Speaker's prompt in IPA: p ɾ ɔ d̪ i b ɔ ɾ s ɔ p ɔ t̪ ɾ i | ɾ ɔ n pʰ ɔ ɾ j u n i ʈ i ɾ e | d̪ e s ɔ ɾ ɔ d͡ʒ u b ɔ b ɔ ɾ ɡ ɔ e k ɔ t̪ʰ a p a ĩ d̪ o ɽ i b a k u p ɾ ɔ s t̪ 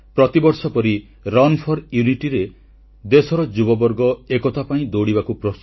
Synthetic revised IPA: p ɾ ɔ t̪ i b ɔ ɾ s ɔ p ɔ ɾ i | ɾ ɔ n pʰ ɔ ɾ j u n i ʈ i ɾ e | d̪ e s ɔ ɾ ɔ d͡ʒ u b ɔ b ɔ ɾ ɡ ɔ e k ɔ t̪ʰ a p a ĩ d̪ o ɽ i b a k u p ɾ ɔ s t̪